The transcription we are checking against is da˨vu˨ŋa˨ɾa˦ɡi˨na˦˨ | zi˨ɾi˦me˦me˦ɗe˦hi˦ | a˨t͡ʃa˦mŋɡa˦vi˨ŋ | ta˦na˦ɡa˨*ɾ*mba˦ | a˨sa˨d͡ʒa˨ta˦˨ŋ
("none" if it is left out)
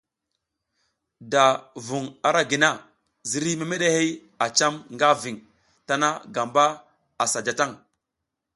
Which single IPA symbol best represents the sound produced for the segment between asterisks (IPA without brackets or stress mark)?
none